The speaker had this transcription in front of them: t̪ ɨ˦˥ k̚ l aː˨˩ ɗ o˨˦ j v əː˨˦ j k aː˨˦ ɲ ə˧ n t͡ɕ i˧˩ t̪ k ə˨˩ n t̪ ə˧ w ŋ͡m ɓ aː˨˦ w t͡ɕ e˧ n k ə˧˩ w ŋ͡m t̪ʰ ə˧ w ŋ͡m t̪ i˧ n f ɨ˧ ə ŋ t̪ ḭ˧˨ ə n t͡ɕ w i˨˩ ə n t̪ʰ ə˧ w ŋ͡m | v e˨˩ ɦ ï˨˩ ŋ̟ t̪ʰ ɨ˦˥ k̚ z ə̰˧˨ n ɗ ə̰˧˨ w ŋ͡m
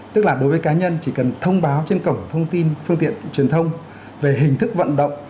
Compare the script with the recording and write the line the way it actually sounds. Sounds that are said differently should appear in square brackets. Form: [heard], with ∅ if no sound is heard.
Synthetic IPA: t̪ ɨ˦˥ k̚ l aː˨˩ ɗ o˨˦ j v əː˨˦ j k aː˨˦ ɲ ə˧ n t͡ɕ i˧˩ [∅] k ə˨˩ n [t̪ʰ] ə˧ w ŋ͡m ɓ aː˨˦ w t͡ɕ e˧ n k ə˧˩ w ŋ͡m t̪ʰ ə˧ w ŋ͡m t̪ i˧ n f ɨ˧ ə ŋ t̪ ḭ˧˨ ə n t͡ɕ w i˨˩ ə n t̪ʰ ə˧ w ŋ͡m | v e˨˩ ɦ ï˨˩ ŋ̟ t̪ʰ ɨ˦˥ k̚ [v] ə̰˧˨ n ɗ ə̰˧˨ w ŋ͡m